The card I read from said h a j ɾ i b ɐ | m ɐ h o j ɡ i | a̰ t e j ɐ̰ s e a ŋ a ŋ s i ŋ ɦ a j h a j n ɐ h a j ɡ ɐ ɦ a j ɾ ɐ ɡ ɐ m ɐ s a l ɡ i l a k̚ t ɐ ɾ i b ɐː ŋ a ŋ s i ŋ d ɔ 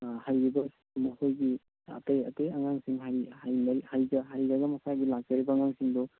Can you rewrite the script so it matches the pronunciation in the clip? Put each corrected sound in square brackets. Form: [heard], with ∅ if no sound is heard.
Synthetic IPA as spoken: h a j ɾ i b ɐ | m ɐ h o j ɡ i | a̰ t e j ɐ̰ [t] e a ŋ a ŋ s i ŋ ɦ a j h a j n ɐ h a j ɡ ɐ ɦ a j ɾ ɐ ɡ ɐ m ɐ s a [∅] ɡ i l a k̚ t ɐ ɾ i b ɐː ŋ a ŋ s i ŋ d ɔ